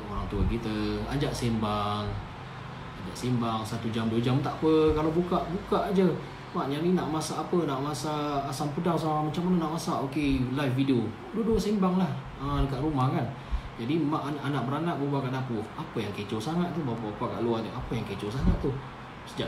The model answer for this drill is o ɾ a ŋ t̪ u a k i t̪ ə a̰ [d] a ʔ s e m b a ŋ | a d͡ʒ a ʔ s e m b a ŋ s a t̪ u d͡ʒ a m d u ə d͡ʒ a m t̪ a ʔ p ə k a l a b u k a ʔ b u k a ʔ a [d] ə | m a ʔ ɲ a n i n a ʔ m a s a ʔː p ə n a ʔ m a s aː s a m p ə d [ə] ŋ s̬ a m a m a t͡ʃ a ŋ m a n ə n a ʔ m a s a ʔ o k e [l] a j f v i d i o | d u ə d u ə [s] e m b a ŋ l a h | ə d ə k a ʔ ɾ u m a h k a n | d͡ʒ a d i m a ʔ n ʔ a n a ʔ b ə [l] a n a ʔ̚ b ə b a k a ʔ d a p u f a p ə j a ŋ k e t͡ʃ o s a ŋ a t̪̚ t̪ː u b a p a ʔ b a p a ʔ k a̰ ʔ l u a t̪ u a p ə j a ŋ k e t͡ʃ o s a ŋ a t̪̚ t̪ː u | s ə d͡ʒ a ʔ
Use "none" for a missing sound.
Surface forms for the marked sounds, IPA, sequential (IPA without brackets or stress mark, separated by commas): d͡ʒ, d͡ʒ, a, l, s, ɾ